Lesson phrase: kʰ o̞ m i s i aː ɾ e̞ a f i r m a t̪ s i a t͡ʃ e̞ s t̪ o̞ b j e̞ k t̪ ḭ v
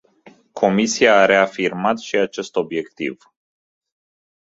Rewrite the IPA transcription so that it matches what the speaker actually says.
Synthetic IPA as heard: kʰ o̞ m i s i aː ɾ e̞ a f i r m a t̪ ʃ i a t͡ʃ e̞ s t̪ o̞ b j e̞ k t̪ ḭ v